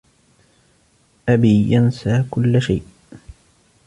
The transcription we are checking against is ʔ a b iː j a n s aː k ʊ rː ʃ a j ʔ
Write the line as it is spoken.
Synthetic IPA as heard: ʔ a b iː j a n s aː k ʊ lː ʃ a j ʔ